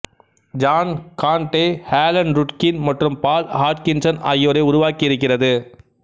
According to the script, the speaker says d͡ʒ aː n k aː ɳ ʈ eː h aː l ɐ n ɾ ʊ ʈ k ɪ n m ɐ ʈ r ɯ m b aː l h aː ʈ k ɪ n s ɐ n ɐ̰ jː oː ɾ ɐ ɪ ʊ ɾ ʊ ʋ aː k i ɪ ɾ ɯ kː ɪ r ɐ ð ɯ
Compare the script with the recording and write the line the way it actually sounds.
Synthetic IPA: d͡ʒ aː n k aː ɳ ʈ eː h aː l ɐ n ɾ ʊ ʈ k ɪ n m ɐ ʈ r ɯ m p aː l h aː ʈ k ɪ n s ɐ n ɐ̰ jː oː ɾ ɐ ɪ ʊ ɾ ʊ ʋ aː k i ɪ ɾ ɯ kː ɪ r ɐ ð ɯ